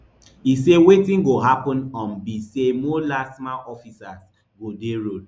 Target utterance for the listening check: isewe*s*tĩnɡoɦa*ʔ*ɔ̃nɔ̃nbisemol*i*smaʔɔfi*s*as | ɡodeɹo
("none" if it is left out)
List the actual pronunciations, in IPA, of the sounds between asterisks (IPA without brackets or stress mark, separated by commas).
none, p, a, s